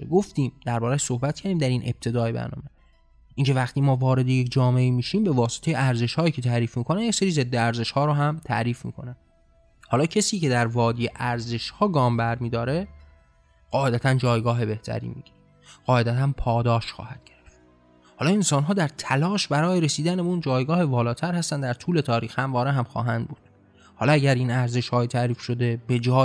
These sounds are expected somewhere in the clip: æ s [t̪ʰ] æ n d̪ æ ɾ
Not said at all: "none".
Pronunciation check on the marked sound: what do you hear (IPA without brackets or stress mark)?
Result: t̪